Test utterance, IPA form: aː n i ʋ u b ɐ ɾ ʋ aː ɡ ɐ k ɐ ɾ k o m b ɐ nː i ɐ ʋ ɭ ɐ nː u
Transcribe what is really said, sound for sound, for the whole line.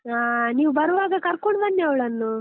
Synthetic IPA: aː n iː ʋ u b ɐ ɾ ʋ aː ɡ ɐ k ɐ ɾ k o ɳ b ɐ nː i ɐ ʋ ɭ ɐ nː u